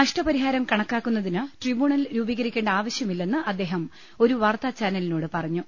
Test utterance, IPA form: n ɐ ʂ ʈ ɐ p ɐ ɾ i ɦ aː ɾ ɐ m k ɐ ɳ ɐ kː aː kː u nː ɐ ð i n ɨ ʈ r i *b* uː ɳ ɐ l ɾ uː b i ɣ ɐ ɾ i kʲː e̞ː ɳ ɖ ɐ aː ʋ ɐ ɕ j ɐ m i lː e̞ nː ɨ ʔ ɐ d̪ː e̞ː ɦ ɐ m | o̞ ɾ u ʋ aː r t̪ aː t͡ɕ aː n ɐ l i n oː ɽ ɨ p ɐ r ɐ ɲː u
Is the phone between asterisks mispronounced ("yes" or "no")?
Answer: no